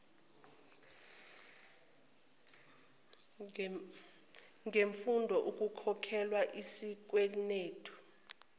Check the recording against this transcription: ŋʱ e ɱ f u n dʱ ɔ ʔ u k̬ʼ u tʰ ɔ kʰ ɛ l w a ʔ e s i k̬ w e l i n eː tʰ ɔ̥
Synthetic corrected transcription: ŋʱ e ɱ f u n dʱ ɔ ʔ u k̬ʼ u kʰ ɔ kʰ ɛ l w a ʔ i s i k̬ w e l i n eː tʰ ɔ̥